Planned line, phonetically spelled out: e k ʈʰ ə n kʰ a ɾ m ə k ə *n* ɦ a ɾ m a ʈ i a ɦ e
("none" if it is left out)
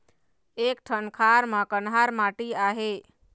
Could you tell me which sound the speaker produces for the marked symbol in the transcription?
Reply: n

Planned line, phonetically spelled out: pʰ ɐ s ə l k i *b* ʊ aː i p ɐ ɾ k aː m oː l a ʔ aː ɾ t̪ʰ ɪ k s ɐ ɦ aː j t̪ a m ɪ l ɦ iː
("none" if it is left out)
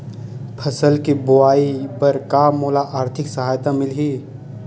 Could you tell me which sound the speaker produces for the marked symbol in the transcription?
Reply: b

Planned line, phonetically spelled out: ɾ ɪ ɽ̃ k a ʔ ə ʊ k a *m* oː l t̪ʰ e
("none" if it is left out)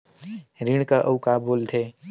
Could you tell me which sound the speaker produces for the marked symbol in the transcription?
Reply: b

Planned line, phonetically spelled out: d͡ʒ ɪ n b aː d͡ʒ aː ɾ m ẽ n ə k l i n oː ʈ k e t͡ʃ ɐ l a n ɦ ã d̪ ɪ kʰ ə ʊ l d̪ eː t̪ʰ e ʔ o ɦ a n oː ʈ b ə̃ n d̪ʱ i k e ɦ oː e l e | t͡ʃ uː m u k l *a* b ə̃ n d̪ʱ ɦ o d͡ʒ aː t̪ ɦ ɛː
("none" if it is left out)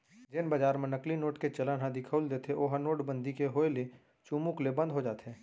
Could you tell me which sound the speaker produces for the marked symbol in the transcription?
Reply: e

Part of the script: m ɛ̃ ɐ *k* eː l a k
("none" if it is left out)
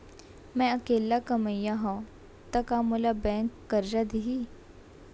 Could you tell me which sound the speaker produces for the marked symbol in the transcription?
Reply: k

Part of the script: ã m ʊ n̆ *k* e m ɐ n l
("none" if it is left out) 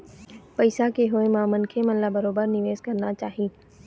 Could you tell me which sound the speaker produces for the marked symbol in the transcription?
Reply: kʰ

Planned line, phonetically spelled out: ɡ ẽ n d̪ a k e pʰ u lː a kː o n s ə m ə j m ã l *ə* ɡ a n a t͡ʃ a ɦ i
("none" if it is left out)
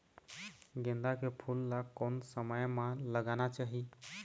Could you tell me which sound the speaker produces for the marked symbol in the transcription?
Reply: ə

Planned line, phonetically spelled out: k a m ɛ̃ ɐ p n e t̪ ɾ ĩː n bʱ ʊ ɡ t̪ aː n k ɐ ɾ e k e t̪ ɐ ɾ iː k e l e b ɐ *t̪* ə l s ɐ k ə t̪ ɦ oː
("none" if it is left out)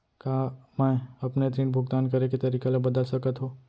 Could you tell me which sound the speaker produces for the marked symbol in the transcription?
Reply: d̪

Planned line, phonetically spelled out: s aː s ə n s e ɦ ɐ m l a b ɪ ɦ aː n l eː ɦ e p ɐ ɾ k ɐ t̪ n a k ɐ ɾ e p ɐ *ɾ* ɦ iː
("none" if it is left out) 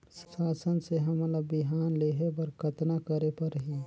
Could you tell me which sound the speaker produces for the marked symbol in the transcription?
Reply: ɾ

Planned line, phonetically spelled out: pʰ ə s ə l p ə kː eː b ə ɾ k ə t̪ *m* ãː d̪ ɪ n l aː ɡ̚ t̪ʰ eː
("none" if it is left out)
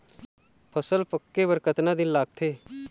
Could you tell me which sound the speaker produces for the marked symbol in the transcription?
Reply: n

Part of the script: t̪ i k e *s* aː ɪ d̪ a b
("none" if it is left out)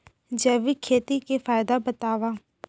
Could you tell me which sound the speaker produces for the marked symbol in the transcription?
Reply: f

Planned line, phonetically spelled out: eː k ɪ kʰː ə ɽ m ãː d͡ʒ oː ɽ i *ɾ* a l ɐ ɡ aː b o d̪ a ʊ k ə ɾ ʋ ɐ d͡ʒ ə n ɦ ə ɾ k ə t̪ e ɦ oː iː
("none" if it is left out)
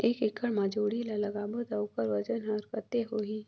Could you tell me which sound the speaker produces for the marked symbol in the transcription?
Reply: l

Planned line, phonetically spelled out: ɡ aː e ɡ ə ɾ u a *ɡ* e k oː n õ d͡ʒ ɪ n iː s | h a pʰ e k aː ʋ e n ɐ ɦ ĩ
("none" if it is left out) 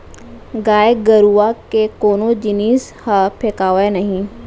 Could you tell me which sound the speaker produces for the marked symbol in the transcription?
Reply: k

